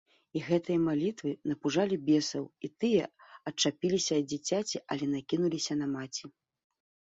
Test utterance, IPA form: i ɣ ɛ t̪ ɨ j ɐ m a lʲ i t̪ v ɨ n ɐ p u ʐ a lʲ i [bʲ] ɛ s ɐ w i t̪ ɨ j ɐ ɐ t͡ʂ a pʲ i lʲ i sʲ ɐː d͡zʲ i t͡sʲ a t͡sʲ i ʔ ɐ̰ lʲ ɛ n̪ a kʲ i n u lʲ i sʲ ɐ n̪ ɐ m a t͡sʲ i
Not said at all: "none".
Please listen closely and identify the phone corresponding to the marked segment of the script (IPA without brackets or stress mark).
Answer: bʲ